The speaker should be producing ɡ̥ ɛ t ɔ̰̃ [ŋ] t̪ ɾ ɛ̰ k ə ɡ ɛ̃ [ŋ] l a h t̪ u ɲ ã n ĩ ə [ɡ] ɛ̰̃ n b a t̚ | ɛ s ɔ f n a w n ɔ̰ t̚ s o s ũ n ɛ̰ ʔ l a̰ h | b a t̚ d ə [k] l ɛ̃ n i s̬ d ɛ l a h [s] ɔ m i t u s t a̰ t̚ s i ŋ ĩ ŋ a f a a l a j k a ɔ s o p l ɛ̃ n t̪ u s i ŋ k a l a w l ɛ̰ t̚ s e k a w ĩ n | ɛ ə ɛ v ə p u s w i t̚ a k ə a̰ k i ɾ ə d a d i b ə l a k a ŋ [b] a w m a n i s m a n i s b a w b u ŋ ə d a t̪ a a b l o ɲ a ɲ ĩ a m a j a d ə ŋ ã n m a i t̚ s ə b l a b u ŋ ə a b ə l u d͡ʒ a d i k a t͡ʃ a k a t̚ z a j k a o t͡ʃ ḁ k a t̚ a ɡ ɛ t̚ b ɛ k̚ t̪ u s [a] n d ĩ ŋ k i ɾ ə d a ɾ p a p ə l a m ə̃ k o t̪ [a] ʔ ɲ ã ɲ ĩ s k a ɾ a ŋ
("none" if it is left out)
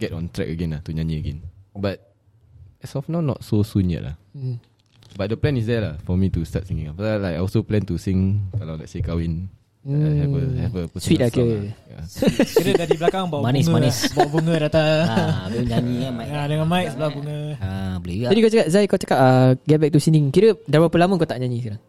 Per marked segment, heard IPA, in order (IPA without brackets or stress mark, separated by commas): n, n, ɡ, p, f, b, i, a